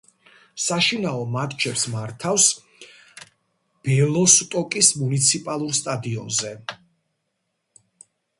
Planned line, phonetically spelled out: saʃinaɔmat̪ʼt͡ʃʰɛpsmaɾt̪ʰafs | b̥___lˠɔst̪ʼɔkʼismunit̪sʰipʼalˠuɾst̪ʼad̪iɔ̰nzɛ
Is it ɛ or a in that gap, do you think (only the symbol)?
ɛ